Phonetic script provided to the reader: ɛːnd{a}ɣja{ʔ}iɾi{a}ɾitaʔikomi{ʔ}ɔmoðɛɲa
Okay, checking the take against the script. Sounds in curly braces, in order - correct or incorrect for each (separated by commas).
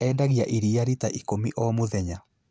correct, correct, correct, correct